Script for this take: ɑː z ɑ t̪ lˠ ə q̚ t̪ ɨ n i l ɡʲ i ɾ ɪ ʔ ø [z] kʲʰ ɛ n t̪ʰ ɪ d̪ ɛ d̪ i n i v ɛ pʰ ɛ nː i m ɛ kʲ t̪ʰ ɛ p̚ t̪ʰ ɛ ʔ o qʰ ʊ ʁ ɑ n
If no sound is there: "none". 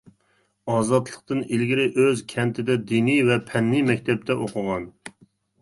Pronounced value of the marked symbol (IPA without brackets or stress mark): z